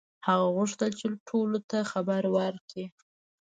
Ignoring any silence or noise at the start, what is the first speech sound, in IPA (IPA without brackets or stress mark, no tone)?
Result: h